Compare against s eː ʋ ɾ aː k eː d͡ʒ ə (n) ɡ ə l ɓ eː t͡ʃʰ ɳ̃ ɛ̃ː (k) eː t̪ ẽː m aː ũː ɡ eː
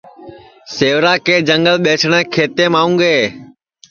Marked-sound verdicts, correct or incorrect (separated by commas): incorrect, incorrect